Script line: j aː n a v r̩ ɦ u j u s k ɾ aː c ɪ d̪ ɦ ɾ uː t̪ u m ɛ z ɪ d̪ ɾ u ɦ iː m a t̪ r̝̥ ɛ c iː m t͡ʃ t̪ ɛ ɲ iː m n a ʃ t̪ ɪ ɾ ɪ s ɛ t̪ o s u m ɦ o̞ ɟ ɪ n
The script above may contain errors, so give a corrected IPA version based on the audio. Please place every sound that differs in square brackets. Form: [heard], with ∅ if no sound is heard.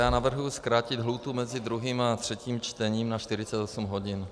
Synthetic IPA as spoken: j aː n a v r̩ ɦ u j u s k ɾ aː c ɪ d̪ ɦ [l] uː t̪ u m ɛ z ɪ d̪ ɾ u ɦ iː m a t̪ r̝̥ ɛ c iː m t͡ʃ t̪ ɛ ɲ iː m n a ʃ t̪ ɪ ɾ ɪ [t͡s] ɛ t̪ o s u m ɦ o̞ ɟ ɪ n